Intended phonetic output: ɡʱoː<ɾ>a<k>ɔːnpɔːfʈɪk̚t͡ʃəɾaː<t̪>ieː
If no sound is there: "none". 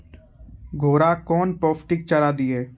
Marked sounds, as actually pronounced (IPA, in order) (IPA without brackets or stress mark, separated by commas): ɾ, k, d̪